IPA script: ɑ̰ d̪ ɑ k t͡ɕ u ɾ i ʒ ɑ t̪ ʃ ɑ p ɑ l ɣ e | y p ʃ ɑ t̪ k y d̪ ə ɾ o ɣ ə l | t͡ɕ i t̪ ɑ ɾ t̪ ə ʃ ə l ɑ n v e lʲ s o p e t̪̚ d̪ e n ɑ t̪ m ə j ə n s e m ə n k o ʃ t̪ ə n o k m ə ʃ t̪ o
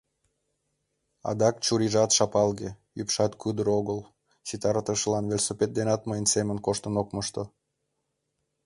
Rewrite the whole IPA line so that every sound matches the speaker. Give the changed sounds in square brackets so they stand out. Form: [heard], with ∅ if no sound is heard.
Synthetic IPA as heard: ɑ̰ d̪ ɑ k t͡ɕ u ɾ i ʒ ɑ t̪ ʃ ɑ p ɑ l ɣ e | y p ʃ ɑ t̪ k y d̪ ə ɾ o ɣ ə l | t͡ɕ i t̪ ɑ ɾ t̪ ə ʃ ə l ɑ n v e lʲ s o p e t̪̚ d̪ e n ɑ t̪ m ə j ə n s e m ə n k o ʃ t̪ ə n o k m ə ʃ t̪ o